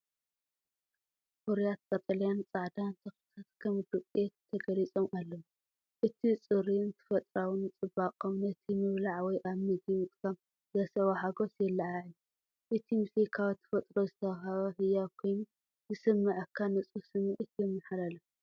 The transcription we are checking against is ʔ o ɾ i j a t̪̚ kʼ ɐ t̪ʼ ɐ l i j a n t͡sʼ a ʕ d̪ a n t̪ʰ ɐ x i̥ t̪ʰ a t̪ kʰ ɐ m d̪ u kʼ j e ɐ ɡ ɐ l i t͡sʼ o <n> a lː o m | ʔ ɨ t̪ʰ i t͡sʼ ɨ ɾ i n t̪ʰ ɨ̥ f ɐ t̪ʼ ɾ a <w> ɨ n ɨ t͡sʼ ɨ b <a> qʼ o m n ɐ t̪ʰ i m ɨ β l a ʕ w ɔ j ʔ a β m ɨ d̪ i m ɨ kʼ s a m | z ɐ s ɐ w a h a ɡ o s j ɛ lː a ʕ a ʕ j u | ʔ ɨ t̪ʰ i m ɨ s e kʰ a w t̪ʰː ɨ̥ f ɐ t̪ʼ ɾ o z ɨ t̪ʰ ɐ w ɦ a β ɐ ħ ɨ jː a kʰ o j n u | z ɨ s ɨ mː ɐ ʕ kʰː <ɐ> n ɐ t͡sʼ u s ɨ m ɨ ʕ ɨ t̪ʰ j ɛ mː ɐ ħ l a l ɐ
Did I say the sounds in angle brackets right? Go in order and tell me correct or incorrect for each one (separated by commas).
incorrect, correct, correct, incorrect